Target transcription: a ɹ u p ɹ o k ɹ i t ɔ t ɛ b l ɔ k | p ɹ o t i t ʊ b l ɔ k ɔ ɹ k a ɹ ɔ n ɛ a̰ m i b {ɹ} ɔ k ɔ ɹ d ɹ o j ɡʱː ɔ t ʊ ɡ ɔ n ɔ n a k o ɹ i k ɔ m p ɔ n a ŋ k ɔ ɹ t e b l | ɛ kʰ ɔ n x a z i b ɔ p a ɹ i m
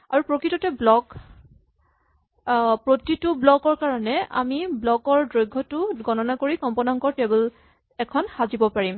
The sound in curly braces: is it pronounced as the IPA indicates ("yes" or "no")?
no